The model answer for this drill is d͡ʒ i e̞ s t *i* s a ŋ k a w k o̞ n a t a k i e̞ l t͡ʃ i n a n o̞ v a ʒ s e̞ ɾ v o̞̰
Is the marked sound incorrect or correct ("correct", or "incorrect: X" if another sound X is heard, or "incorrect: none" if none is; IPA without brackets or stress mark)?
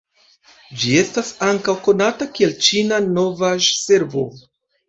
incorrect: a